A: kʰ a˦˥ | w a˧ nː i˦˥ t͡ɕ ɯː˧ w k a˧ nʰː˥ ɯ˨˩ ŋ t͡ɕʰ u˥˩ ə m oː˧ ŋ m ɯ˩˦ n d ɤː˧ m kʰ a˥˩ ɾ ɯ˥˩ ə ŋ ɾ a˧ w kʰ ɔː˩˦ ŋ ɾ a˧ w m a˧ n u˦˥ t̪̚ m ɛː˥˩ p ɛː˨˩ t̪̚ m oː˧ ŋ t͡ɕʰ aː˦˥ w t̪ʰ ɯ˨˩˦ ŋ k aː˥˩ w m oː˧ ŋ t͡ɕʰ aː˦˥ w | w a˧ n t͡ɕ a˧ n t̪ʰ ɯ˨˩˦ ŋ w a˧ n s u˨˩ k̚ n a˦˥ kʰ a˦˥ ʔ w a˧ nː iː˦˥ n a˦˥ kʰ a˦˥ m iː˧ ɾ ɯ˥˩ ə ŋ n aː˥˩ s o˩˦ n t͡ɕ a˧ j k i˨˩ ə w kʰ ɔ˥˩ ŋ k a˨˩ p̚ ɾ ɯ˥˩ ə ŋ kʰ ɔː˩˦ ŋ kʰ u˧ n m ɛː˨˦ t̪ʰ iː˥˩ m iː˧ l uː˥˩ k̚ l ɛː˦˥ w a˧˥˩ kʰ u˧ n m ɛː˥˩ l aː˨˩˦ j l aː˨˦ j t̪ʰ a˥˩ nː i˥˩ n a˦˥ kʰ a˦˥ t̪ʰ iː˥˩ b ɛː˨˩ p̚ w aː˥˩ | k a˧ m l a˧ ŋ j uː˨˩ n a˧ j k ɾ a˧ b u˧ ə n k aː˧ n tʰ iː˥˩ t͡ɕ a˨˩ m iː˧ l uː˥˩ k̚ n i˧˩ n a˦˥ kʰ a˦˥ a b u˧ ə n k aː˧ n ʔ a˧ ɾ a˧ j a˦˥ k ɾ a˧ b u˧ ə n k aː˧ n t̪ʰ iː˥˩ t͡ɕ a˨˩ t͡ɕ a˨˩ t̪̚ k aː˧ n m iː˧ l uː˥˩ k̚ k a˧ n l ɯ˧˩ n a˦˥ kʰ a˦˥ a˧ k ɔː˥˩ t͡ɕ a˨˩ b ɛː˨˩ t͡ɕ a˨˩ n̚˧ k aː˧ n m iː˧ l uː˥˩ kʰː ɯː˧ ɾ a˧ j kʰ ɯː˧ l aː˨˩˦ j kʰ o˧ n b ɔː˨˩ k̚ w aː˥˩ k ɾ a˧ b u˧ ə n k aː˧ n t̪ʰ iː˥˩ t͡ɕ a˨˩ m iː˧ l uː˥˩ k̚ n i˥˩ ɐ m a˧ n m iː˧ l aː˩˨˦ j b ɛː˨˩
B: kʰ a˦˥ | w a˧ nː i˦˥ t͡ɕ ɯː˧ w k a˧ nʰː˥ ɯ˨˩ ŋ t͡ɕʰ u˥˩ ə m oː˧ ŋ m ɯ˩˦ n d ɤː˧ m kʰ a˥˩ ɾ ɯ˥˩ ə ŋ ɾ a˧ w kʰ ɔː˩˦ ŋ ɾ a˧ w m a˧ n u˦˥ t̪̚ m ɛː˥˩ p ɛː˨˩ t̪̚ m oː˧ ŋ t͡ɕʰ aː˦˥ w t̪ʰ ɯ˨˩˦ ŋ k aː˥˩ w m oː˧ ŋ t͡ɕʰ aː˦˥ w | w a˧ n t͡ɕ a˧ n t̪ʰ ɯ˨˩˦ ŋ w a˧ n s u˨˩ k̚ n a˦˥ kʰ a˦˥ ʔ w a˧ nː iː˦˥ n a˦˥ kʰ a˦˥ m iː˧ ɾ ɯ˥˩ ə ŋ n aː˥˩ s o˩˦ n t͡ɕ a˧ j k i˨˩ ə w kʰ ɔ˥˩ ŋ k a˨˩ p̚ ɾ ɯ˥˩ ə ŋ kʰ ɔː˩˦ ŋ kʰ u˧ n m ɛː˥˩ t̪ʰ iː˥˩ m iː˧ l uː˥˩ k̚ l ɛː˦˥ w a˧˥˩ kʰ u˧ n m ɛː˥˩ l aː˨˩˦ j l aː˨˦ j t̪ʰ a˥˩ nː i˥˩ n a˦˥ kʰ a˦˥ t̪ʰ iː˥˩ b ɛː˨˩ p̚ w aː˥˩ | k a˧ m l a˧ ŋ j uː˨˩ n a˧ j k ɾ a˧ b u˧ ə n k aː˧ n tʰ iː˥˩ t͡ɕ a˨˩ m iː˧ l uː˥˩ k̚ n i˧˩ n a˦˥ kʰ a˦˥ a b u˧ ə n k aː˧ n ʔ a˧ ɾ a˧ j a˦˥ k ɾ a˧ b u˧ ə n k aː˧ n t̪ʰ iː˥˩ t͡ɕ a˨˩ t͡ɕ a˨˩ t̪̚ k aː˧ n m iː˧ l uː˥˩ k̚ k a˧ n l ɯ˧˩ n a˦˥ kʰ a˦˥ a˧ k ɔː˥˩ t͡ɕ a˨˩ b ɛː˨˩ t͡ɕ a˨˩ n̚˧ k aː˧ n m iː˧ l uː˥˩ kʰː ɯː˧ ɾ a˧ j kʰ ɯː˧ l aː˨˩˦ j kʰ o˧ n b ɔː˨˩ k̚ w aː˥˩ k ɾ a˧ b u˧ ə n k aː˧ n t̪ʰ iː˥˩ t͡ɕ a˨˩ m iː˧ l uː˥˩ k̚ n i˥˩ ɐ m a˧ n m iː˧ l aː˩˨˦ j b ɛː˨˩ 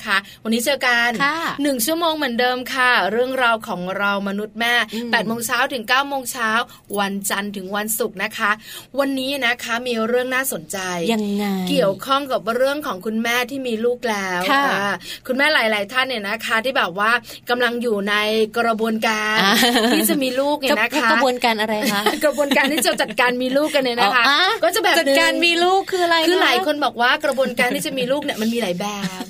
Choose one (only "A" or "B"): B